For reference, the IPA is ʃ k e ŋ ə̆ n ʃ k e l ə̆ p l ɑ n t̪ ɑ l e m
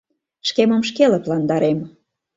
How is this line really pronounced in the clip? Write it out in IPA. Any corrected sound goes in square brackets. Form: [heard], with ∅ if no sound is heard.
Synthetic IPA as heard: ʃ k e [m] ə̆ [m] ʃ k e l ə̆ p l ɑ n [d̪] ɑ [ɾ] e m

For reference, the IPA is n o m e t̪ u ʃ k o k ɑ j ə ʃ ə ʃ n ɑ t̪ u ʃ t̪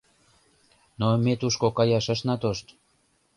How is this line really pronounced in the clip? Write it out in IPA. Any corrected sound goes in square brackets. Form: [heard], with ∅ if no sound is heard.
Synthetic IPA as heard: n o m e t̪ u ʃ k o k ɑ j [ɑ] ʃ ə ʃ n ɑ t̪ [o] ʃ t̪

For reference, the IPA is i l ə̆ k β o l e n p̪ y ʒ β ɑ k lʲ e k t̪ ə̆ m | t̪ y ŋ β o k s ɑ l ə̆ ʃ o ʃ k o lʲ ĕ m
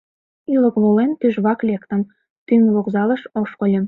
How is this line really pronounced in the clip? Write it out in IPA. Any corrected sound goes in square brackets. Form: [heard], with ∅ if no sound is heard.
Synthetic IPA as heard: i l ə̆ k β o l e n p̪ y ʒ β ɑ k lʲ e k t̪ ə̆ m | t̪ y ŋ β o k [z] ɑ l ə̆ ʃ o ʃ k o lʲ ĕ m

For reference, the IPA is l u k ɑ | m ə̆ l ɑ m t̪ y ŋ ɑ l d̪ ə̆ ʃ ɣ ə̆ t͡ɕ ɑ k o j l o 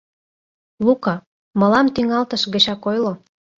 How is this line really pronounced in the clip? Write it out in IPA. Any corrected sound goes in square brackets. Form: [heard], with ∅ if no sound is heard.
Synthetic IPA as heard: l u k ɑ | m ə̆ l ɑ m t̪ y ŋ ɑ l [t̪] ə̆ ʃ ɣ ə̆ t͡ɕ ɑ k o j l o

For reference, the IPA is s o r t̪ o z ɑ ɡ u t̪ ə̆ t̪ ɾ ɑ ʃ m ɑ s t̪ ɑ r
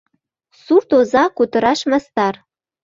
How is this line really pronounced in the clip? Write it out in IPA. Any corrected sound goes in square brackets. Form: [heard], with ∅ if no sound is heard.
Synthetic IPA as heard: s [u] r t̪ o z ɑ [k] u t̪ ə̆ [∅] ɾ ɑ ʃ m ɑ s t̪ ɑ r

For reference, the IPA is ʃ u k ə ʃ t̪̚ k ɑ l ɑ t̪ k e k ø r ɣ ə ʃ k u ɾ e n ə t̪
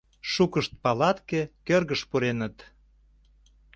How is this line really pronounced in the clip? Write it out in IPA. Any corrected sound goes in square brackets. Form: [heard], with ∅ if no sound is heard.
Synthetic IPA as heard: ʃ u k ə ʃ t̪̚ [p] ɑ l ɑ t̪ k e k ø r ɣ ə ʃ [p] u ɾ e n ə t̪

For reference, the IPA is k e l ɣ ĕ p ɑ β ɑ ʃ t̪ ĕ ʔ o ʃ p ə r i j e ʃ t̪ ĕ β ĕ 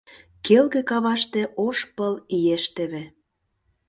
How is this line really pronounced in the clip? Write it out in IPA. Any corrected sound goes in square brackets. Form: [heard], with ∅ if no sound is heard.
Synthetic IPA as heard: k e l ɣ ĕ [k] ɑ β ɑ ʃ t̪ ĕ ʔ o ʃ p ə [l] i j e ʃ t̪ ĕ β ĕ

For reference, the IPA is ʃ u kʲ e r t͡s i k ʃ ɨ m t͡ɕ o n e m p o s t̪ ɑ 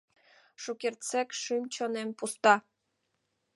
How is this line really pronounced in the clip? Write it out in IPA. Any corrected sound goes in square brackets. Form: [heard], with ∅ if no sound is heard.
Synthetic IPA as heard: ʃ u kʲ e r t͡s [e] k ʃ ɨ m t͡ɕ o n e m p [u] s t̪ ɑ

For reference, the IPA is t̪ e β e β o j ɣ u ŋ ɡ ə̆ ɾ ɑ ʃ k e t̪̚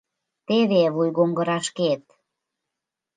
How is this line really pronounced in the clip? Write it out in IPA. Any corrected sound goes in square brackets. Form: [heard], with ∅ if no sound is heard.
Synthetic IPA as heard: t̪ e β e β [u] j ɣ [o] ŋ ɡ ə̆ ɾ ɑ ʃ k e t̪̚

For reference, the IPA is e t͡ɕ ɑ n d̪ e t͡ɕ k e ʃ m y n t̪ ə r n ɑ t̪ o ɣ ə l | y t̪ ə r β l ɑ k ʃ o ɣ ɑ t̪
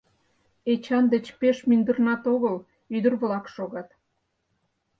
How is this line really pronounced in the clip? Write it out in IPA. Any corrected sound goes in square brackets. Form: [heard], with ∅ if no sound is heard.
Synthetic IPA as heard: e t͡ɕ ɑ n d̪ e t͡ɕ [p] e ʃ m y n [d̪] ə r n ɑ t̪ o ɣ ə l | y [d̪] ə r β l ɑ k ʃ o ɣ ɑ t̪

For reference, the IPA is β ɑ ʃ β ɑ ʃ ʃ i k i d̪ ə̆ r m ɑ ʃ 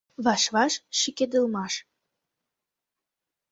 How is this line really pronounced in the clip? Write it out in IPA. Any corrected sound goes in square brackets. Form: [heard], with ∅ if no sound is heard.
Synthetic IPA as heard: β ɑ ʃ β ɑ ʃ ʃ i k [e] d̪ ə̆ [l] m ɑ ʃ

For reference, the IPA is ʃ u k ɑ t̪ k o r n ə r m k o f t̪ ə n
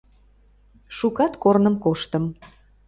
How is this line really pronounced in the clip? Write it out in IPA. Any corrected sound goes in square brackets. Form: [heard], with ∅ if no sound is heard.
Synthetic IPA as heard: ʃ u k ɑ t̪ k o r n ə [∅] m k o [ʃ] t̪ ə [m]

